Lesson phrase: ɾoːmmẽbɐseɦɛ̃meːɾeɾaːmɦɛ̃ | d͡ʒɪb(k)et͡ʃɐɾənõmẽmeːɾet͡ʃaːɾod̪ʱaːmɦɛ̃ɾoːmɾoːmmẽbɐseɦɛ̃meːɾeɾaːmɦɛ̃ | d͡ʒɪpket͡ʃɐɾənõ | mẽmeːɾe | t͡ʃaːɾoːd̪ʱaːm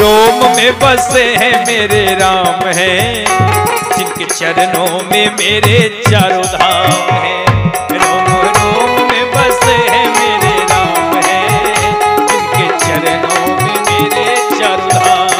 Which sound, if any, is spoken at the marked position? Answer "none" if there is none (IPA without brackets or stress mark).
k